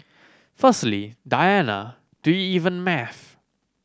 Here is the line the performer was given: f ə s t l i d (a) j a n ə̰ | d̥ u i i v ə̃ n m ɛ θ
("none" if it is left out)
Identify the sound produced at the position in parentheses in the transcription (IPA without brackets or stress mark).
a